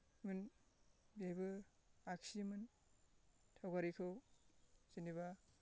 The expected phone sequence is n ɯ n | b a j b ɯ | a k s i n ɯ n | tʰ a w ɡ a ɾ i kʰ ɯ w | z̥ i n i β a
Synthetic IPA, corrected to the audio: m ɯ n | b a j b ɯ | a k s i m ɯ n | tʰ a w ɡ a ɾ i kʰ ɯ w | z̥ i n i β a